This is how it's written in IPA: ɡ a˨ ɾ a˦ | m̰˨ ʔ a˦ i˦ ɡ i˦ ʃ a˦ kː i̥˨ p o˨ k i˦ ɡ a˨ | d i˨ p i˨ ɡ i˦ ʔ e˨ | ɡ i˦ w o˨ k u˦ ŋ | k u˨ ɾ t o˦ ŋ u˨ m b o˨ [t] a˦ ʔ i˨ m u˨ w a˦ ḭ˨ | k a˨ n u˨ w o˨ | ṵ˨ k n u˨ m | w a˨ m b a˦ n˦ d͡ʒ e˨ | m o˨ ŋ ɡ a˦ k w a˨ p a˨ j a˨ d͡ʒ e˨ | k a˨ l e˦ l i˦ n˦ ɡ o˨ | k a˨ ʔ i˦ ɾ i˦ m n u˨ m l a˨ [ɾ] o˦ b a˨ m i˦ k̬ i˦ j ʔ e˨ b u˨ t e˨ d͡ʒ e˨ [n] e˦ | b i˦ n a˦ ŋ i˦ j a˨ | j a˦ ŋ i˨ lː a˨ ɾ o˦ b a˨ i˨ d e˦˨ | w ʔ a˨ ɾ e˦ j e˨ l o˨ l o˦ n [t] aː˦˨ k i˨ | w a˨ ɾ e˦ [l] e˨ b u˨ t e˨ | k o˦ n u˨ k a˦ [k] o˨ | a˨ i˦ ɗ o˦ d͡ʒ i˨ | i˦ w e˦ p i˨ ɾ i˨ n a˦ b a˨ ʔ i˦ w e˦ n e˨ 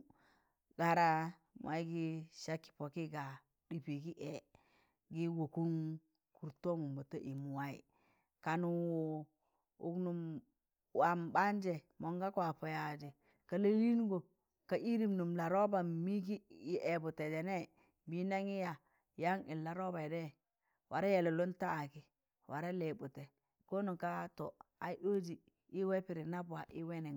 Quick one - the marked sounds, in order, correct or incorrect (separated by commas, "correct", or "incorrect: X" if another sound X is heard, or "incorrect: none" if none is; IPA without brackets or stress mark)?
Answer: correct, correct, correct, correct, correct, incorrect: t